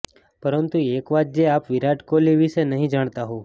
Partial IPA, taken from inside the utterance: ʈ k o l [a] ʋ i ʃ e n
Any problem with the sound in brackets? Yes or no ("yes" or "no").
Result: yes